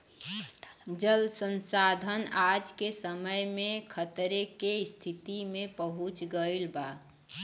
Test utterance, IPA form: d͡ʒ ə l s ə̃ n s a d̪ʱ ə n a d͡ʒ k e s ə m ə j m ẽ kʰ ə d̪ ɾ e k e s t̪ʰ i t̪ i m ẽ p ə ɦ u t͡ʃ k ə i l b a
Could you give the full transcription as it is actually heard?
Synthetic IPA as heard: d͡ʒ ə l s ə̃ n s a d̪ʱ ə n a d͡ʒ k e s ə m ə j m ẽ kʰ ə t̪ ɾ e k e s t̪ʰ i t̪ i m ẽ p ə ɦ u t͡ʃ ɡ ə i l b a

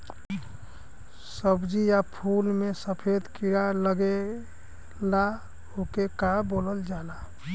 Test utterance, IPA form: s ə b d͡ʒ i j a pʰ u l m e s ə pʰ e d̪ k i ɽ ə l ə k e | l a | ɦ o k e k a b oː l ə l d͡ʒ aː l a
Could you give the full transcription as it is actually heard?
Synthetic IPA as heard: s ə b d͡ʒ i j a pʰ u l m e s ə pʰ e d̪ k i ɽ a l ə ɡ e | l a | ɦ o k e k a b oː l ə l d͡ʒ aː l a

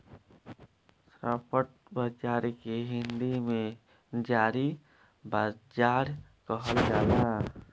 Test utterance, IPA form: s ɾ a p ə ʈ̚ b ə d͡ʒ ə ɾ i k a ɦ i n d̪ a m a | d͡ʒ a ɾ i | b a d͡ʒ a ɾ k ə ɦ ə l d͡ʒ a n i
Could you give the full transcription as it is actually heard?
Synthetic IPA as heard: s ɾ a p ə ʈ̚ b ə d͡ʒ a ɾ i k e ɦ i n d̪ i m e | d͡ʒ a ɾ i | b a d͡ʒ a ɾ k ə ɦ ə l d͡ʒ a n a

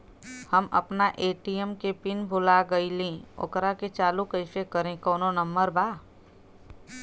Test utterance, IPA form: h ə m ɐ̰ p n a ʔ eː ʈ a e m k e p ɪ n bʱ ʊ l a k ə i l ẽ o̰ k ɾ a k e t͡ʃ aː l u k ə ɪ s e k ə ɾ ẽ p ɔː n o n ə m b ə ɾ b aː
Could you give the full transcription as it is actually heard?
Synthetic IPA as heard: h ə m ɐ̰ p n a ʔ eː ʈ i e m k e p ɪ n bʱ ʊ l a ɡ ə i l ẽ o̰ k ɾ a k e t͡ʃ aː l u k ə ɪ s e k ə ɾ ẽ k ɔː n o n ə m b ə ɾ b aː

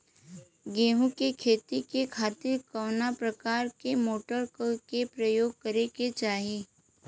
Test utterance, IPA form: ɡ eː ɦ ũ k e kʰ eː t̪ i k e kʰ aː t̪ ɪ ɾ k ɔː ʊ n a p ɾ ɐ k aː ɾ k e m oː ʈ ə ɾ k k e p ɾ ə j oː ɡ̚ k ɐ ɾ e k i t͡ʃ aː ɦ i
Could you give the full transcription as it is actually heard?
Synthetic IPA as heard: ɡ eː ɦ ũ k e kʰ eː t̪ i k e kʰ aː t̪ ɪ ɾ k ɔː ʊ n a p ɾ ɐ k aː ɾ k e m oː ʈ ə ɾ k k e p ɾ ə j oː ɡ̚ k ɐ ɾ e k e t͡ʃ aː ɦ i

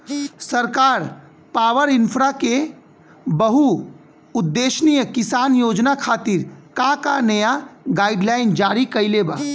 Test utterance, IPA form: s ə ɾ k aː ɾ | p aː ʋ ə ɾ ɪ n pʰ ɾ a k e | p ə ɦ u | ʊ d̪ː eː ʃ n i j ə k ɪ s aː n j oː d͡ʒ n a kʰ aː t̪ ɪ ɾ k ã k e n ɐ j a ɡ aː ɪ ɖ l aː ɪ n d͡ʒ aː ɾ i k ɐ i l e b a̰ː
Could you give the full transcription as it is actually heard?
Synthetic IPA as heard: s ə ɾ k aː ɾ | p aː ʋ ə ɾ ɪ n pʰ ɾ a k e | b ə ɦ u | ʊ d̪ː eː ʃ n i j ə k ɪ s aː n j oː d͡ʒ n a kʰ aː t̪ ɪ ɾ k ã k a n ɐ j a ɡ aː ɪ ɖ l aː ɪ n d͡ʒ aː ɾ i k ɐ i l e b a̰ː

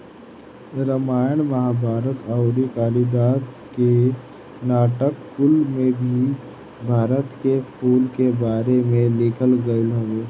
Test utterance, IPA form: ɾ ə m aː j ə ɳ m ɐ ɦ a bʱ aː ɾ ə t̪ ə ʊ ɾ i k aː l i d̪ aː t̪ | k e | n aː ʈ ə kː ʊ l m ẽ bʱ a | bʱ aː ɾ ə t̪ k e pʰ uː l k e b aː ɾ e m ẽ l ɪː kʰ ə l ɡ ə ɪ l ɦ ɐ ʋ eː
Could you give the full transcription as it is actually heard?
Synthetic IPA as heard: ɾ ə m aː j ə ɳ m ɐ ɦ a bʱ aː ɾ ə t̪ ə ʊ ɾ i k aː l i d̪ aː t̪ | k e | n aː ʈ ə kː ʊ l m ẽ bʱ i | bʱ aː ɾ ə t̪ k e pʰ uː l k e b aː ɾ e m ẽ l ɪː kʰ ə l ɡ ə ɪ l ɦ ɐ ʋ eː

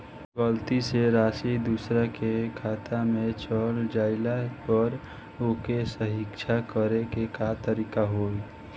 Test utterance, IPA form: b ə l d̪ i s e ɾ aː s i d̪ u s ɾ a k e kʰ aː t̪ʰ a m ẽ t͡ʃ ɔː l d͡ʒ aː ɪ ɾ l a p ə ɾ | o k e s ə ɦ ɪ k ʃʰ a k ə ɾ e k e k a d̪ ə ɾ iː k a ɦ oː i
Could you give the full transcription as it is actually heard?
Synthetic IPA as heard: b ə l t̪ i s e ɾ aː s i d̪ u s ɾ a k e kʰ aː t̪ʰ a m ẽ t͡ʃ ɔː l d͡ʒ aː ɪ l a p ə ɾ | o k e s ə ɦ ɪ k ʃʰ a k ə ɾ e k e k a t̪ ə ɾ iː k a ɦ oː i

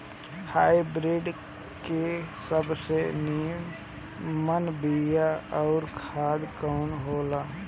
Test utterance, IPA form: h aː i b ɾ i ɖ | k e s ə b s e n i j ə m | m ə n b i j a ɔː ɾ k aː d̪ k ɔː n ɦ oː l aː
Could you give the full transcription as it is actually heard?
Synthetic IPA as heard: h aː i b ɾ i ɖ | k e s ə b s e n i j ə m | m ə n b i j a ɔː ɾ kʰ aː d̪ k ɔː n ɦ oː l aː

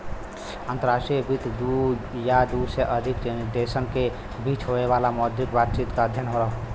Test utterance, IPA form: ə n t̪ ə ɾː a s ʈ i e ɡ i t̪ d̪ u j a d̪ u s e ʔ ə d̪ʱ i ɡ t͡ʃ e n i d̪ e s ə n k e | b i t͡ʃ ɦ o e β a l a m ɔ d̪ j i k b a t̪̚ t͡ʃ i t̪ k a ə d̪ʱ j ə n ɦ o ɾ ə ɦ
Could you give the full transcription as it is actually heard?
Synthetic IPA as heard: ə n t̪ ə ɾ a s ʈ i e b i t̪ d̪ u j a d̪ u s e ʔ ə d̪ʱ i k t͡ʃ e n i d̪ e s ə n k e | b i t͡ʃ ɦ o e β a l a m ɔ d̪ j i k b a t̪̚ t͡ʃ i t̪ k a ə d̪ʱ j ə n ɦ o ɾ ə ɦ

